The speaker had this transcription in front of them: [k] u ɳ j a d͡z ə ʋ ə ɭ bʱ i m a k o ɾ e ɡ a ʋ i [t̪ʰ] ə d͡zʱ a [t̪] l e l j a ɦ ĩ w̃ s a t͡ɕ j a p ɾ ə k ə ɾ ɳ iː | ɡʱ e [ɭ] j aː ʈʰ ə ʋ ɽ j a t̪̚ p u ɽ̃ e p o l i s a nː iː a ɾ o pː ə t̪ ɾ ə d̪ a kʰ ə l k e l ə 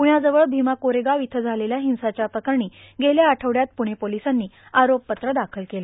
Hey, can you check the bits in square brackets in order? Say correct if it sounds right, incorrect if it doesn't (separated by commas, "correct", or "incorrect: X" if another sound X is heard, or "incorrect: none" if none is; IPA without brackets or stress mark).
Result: incorrect: p, correct, incorrect: none, incorrect: l